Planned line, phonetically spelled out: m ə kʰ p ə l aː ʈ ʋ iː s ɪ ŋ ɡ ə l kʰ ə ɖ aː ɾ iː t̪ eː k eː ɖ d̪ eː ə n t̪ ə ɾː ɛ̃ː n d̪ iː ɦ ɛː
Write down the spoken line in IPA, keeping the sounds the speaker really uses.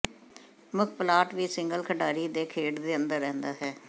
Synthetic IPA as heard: m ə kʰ p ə l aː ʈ ʋ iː s ɪ ŋ ɡ ə l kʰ ə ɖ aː ɾ iː d̪ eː kʰ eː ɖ d̪ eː ə n d̪ ə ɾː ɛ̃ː n d̪ aː ɦ ɛː